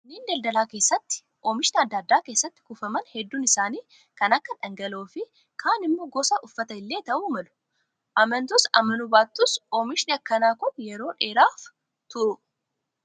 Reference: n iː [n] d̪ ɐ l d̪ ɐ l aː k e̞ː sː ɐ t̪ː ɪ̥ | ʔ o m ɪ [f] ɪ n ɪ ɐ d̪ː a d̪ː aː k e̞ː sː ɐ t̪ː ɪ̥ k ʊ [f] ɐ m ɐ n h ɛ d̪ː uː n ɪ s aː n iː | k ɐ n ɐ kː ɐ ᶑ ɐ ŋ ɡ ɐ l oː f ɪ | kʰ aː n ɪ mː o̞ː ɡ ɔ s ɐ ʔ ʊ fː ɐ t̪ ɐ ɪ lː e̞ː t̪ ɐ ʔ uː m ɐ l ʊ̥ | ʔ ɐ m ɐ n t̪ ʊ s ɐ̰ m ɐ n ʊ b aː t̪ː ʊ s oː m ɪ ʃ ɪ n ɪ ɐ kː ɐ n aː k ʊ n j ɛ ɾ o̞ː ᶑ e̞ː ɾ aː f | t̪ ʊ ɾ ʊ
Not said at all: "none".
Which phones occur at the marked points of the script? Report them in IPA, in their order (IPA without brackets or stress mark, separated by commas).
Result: n, ʃ, f